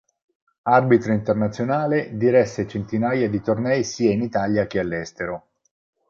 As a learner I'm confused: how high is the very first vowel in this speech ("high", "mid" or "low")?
low